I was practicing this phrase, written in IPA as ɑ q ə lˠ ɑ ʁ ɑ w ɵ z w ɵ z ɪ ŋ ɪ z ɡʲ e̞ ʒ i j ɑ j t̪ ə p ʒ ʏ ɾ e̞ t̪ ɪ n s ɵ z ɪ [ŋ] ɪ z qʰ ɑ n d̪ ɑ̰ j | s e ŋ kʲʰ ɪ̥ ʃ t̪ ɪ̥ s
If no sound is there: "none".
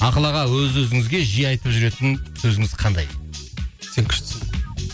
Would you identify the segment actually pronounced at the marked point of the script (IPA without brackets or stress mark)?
ŋ